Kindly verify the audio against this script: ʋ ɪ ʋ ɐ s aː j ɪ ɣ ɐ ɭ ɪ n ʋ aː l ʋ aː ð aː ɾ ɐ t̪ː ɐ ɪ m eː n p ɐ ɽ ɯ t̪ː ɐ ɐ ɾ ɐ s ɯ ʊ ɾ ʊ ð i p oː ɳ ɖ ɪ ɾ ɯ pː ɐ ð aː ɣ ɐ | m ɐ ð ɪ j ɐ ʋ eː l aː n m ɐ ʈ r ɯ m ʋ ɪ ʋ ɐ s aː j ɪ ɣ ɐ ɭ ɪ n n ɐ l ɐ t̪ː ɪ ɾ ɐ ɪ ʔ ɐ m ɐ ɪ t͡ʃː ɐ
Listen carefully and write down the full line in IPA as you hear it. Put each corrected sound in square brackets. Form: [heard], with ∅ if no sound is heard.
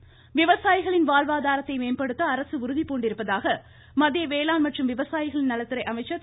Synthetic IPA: ʋ ɪ ʋ ɐ s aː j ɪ ɣ ɐ ɭ ɪ n ʋ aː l ʋ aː ð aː ɾ ɐ t̪ː ɐ ɪ m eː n p ɐ ɽ ɯ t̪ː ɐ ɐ ɾ ɐ s ɯ ʊ ɾ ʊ ð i p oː ɳ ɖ ɪ ɾ ɯ pː ɐ ð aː ɣ ɐ | m ɐ ð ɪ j ɐ ʋ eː l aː n m ɐ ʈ r ɯ m ʋ ɪ ʋ ɐ s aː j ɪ ɣ ɐ ɭ ɪ n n ɐ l ɐ t̪ː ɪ ɾ ɐ ɪ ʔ ɐ m ɐ ɪ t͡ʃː ɐ

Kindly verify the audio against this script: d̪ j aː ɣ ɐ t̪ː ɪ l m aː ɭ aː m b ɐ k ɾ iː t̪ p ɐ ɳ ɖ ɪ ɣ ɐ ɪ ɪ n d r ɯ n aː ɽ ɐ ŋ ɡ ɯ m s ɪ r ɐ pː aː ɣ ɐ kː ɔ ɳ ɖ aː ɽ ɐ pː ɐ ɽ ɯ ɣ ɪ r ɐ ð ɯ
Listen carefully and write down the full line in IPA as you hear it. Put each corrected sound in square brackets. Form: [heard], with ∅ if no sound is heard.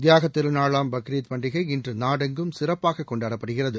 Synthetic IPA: d̪ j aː ɣ ɐ t̪ː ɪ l [n] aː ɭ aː m b ɐ k ɾ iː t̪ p ɐ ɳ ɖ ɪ ɣ ɐ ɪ ɪ n d r ɯ n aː ɽ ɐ ŋ ɡ ɯ m s ɪ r ɐ pː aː ɣ ɐ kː ɔ ɳ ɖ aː ɽ ɐ pː ɐ ɽ ɯ ɣ ɪ r ɐ ð ɯ

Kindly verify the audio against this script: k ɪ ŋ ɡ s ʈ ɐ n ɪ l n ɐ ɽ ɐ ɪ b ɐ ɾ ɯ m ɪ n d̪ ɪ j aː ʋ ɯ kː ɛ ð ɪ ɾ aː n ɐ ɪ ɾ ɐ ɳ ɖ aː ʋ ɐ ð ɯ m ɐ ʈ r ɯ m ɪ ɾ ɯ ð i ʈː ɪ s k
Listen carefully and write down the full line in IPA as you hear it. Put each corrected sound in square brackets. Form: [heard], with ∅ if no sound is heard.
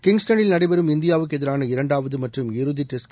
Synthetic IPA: k ɪ ŋ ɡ s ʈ ɐ n ɪ l n ɐ ɽ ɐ ɪ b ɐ ɾ ɯ m ɪ n d̪ ɪ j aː ʋ ɯ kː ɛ ð ɪ ɾ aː n ɐ ɪ ɾ ɐ ɳ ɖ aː ʋ ɐ ð ɯ m ɐ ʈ r ɯ m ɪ ɾ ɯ ð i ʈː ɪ s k

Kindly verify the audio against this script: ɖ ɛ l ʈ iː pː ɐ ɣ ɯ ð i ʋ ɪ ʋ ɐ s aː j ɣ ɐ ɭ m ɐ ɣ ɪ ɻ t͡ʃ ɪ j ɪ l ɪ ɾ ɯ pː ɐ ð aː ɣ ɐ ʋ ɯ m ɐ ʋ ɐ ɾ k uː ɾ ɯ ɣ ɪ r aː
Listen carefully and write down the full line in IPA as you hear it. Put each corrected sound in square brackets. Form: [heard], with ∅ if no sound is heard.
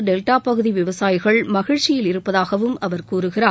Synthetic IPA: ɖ ɛ l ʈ [aː] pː ɐ ɣ ɯ ð i ʋ ɪ ʋ ɐ s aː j ɣ ɐ ɭ m ɐ ɣ ɪ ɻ t͡ʃ ɪ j ɪ l ɪ ɾ ɯ pː ɐ ð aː ɣ ɐ ʋ ɯ m ɐ ʋ ɐ ɾ k uː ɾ ɯ ɣ ɪ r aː

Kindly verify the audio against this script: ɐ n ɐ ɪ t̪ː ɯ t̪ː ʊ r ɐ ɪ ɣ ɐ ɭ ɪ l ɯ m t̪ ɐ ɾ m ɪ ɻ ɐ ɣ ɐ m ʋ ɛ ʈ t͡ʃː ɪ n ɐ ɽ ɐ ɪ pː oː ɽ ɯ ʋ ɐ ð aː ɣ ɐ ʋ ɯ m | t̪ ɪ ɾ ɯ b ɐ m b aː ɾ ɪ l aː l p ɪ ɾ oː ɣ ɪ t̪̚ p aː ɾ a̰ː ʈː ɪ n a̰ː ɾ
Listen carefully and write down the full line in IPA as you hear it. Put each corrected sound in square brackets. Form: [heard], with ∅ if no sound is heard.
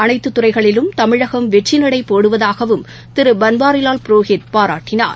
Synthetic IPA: ɐ n ɐ ɪ t̪ː ɯ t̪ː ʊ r ɐ ɪ ɣ ɐ ɭ ɪ l ɯ m t̪ ɐ [∅] m ɪ ɻ ɐ ɣ ɐ m ʋ ɛ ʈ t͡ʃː ɪ n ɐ ɽ ɐ ɪ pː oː ɽ ɯ ʋ ɐ ð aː ɣ ɐ ʋ ɯ m | t̪ ɪ ɾ ɯ b ɐ [n] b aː ɾ ɪ l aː l p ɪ ɾ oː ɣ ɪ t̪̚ p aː ɾ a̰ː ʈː ɪ n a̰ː ɾ

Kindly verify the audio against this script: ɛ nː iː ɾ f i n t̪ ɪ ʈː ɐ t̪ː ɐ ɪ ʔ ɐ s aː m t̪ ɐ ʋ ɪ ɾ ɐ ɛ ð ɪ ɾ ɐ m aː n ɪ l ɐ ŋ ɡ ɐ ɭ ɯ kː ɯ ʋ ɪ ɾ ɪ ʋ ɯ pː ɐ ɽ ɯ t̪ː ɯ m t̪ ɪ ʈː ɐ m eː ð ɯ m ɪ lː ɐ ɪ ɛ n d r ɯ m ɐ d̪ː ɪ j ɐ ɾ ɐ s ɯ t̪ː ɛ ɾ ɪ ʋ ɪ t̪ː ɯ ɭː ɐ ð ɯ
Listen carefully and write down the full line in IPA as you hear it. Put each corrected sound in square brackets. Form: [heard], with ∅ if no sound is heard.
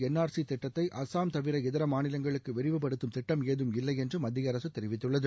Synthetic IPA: ɛ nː [aː] ɾ [s] i [∅] t̪ ɪ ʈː ɐ t̪ː ɐ ɪ ʔ ɐ s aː m t̪ ɐ ʋ ɪ ɾ ɐ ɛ ð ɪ ɾ ɐ m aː n ɪ l ɐ ŋ ɡ ɐ ɭ ɯ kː ɯ ʋ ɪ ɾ ɪ ʋ ɯ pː ɐ ɽ ɯ t̪ː ɯ m t̪ ɪ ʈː ɐ m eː ð ɯ m ɪ lː ɐ ɪ ɛ n d r ɯ m ɐ d̪ː ɪ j ɐ ɾ ɐ s ɯ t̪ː ɛ ɾ ɪ ʋ ɪ t̪ː ɯ ɭː ɐ ð ɯ

